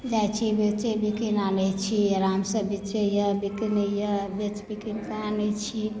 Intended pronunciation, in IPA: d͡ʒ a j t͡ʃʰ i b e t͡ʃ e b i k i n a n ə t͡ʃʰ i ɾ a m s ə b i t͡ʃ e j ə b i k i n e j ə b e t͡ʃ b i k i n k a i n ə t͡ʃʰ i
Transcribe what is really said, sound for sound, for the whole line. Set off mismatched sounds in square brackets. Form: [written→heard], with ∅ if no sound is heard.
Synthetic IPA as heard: d͡ʒ a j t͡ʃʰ i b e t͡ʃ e b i k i n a n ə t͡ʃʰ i ɾ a m s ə b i t͡ʃ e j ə b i k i n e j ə b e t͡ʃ b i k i n k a [i→a] n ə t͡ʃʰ i